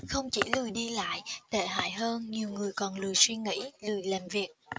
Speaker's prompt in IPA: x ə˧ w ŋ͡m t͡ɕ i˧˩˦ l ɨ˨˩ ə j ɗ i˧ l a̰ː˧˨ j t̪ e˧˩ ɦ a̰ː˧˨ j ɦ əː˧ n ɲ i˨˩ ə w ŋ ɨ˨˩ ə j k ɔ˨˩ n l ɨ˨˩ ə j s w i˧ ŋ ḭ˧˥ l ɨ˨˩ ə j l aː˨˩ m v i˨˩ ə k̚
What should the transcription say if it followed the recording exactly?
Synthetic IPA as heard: x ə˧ w ŋ͡m t͡ɕ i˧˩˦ l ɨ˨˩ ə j ɗ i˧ l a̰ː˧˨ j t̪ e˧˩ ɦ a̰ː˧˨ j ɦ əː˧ n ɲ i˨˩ ə w ŋ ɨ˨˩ ə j k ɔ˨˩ n l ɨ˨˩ ə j s w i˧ ŋ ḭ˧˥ l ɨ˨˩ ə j l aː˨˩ m v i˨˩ ə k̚